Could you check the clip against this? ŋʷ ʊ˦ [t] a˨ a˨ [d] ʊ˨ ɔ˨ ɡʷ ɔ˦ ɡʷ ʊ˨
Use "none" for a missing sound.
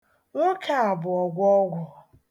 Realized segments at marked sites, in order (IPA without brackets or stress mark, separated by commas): k, b